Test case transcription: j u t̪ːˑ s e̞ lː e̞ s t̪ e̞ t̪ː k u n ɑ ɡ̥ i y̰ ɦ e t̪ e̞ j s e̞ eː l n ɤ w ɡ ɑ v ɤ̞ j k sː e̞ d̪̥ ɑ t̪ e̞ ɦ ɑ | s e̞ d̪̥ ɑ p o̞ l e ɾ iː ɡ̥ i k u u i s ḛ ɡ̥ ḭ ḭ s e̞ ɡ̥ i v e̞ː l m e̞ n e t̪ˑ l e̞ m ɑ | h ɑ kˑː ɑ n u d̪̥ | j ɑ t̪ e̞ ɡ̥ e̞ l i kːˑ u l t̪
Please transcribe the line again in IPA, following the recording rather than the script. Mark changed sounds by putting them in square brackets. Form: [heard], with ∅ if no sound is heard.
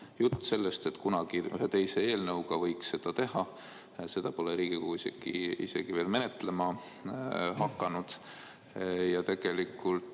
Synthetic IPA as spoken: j u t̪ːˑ s e̞ lː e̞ s t̪ e̞ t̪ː k u n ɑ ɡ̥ i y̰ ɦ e t̪ e̞ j s e̞ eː l n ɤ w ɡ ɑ v ɤ̞ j k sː e̞ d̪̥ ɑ t̪ e̞ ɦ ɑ | s e̞ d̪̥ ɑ p o̞ l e ɾ iː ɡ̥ i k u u i s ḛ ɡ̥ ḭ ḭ s e̞ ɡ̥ i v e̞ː l m e̞ n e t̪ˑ l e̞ m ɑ | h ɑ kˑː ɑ n u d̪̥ | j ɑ t̪ e̞ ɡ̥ e̞ l i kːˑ u l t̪